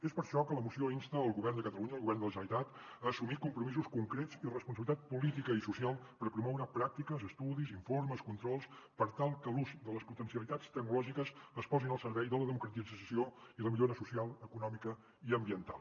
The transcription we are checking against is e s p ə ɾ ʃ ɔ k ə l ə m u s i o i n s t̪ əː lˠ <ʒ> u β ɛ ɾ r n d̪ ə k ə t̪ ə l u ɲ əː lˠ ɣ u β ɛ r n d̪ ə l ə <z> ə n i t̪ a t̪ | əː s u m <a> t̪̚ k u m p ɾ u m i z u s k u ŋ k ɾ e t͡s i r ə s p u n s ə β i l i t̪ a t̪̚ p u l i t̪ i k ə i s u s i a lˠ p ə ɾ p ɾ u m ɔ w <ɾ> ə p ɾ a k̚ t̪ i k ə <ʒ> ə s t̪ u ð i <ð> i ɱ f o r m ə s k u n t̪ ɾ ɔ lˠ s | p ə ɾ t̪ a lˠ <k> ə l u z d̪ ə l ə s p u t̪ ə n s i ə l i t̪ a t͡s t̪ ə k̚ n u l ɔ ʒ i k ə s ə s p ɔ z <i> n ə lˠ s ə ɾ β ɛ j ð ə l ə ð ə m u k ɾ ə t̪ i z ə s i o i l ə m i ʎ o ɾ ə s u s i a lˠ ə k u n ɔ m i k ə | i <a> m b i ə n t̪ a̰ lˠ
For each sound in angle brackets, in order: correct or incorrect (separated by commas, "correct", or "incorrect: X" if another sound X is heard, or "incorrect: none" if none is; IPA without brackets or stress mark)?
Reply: incorrect: ɣ, incorrect: ʒ, incorrect: i, correct, incorrect: z, incorrect: z, correct, correct, incorrect: ə